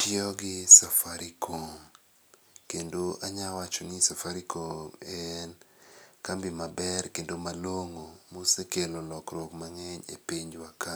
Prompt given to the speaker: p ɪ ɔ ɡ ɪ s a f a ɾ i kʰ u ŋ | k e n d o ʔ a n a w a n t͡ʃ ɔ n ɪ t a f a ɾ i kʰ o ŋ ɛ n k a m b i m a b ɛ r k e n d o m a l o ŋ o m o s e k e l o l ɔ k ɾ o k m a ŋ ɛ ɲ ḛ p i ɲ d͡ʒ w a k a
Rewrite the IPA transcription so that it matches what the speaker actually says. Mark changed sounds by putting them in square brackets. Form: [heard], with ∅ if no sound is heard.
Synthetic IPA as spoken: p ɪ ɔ ɡ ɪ s a f a ɾ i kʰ [o] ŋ | k e n d o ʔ a [ɲ] a w a [∅] t͡ʃ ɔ n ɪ [s] a f a ɾ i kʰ o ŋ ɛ n k a m b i m a b ɛ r k e n d o m a l o ŋ o m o s e k e l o l ɔ k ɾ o k m a ŋ ɛ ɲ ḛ p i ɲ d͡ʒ w a k a